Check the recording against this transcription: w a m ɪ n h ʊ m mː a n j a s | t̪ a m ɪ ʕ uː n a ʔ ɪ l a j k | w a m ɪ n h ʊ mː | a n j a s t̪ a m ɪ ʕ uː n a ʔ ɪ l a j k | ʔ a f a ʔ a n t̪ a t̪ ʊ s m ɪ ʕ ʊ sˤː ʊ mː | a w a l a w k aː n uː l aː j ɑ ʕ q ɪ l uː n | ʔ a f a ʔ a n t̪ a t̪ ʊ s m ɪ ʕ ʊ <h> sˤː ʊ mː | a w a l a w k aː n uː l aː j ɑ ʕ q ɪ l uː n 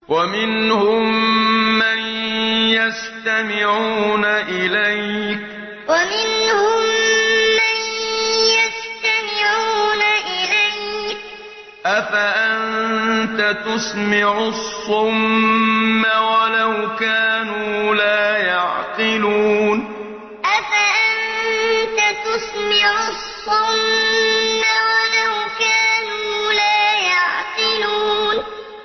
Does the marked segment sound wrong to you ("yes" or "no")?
yes